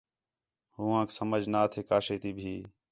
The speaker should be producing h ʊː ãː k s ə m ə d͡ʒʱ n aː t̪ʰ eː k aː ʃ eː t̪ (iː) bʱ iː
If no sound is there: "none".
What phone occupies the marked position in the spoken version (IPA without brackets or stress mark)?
iː